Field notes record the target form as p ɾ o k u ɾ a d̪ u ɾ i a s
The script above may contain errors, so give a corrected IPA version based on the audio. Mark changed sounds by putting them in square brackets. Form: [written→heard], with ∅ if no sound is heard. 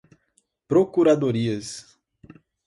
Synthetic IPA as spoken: p ɾ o k u ɾ a d̪ [u→o] ɾ i [a→ɐ] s